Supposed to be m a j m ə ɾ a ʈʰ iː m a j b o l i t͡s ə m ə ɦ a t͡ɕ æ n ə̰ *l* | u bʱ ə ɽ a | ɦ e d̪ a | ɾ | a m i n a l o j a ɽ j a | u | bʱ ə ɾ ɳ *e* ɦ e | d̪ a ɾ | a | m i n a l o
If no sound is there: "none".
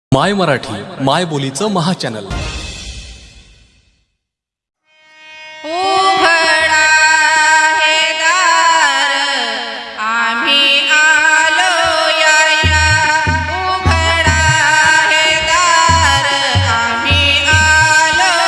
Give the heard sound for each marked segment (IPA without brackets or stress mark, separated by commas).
l, a